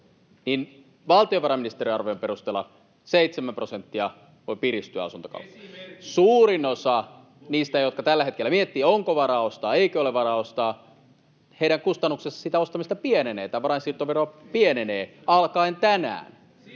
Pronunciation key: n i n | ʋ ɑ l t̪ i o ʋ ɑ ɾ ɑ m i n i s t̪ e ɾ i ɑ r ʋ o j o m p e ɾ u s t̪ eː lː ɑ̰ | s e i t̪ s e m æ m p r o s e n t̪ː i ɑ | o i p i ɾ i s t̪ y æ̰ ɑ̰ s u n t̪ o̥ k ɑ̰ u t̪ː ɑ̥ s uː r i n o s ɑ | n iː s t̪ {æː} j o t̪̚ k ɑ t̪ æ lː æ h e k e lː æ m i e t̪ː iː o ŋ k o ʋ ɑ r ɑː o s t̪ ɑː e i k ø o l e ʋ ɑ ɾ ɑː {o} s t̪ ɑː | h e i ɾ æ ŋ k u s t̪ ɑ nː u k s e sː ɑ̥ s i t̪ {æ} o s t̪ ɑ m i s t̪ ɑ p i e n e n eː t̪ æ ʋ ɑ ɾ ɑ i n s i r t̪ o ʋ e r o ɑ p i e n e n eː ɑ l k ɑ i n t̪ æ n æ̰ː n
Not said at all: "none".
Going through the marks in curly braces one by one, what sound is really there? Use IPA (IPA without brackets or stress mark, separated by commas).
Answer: æ, o, æ